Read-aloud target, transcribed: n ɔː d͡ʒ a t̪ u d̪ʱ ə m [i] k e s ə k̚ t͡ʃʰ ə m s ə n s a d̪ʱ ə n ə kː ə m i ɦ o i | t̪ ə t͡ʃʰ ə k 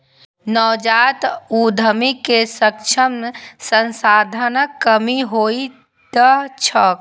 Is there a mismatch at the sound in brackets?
no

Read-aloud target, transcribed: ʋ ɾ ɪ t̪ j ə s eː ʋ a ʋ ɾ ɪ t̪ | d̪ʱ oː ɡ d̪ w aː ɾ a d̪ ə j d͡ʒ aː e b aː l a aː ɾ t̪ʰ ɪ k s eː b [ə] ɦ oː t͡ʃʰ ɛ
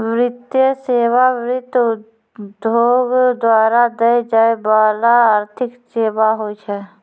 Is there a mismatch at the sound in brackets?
yes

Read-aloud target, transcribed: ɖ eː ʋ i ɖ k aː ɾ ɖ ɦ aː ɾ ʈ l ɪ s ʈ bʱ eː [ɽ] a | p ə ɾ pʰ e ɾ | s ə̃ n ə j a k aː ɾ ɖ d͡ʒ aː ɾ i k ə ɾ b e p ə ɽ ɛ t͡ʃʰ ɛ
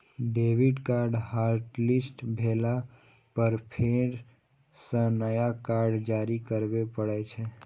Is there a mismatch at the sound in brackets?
yes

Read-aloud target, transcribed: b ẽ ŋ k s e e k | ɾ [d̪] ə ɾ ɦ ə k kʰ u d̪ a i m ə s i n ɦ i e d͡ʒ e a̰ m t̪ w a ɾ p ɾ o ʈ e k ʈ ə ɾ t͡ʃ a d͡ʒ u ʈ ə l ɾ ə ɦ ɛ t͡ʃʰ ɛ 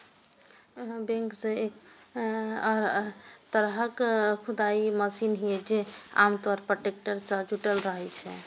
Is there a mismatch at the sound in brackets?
yes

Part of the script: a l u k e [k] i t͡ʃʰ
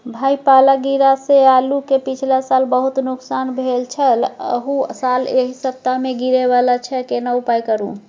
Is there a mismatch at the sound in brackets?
yes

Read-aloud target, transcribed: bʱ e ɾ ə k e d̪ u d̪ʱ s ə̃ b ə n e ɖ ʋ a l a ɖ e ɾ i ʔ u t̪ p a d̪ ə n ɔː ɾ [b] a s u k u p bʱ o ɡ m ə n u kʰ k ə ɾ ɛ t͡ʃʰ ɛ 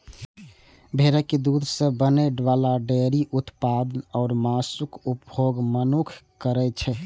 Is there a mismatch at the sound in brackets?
yes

